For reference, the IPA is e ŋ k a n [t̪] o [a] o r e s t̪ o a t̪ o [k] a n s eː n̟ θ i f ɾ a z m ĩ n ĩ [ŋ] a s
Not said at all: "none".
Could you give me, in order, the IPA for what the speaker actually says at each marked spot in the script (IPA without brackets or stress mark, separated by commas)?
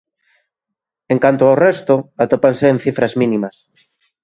t̪, a, p, m